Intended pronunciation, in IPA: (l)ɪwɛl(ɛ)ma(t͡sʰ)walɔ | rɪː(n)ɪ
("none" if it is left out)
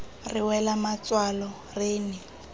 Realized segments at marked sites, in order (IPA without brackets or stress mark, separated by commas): r, a, t͡s, n